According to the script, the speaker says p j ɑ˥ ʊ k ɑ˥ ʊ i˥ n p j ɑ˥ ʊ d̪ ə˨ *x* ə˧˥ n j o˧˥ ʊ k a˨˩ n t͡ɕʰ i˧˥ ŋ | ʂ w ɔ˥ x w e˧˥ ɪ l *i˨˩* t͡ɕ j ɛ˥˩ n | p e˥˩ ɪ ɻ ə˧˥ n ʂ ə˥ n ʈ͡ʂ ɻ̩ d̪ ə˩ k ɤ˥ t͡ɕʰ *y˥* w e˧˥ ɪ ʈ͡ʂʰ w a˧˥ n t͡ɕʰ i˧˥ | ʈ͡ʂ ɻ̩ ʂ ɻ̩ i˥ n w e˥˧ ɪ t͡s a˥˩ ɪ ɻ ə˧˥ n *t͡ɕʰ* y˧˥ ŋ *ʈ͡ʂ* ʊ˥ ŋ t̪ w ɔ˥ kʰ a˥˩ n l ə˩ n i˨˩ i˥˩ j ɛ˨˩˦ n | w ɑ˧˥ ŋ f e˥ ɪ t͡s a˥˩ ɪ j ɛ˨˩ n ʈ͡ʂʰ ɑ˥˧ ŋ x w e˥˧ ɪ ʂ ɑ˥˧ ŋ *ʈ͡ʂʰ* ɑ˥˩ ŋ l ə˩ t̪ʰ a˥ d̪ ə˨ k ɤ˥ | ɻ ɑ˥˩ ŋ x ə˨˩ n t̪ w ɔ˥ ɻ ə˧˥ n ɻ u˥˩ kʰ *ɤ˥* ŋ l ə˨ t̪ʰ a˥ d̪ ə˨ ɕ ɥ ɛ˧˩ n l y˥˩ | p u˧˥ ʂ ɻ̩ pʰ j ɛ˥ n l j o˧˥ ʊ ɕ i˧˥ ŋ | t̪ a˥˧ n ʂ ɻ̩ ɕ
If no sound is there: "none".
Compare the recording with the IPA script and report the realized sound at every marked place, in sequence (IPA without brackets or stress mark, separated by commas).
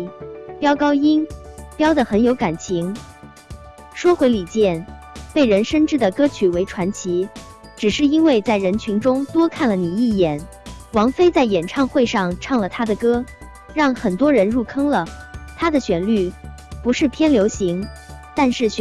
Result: x, i˨˩, y˨˩, t͡ɕʰ, ʈ͡ʂ, ʈ͡ʂʰ, ɤ˥